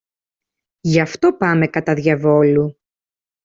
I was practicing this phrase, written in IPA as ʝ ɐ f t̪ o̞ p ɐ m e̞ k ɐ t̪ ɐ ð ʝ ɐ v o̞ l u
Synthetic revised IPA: ʝ ɐ f t̪ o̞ p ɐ m e̞ k ɐ t̪ ɐ ð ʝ ɐ v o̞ l u